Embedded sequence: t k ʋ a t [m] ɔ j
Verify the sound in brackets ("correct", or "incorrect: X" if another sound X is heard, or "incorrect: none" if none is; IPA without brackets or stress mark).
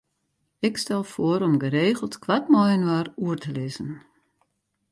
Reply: correct